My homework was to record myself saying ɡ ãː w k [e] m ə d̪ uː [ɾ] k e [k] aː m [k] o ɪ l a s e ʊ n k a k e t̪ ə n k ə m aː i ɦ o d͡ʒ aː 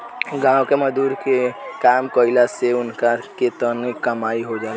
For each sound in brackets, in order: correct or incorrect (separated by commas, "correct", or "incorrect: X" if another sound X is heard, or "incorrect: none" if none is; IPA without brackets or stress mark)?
correct, correct, correct, correct